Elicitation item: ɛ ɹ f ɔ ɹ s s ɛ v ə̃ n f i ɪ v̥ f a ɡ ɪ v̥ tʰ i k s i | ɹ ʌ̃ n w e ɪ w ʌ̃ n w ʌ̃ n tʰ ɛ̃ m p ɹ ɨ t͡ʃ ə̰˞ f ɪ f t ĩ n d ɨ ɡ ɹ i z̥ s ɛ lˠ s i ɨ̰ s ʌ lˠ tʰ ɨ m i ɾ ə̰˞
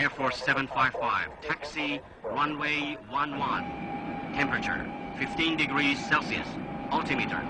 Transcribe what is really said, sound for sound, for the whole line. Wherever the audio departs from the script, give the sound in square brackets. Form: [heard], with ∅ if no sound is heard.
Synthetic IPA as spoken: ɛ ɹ f ɔ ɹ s s ɛ v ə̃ n f [a] ɪ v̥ f a [∅] ɪ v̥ tʰ [æ] k s i | ɹ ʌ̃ n w e ɪ w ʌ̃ n w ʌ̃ n tʰ ɛ̃ m p ɹ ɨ t͡ʃ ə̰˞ f ɪ f t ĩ n d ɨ ɡ ɹ i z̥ s ɛ lˠ s i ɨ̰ s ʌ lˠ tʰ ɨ m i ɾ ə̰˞